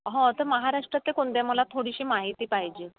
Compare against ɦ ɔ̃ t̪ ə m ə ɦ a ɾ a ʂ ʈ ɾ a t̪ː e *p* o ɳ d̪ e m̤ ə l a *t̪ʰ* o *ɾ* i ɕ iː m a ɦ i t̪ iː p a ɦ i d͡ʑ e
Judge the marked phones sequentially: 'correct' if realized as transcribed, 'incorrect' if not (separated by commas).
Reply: incorrect, correct, incorrect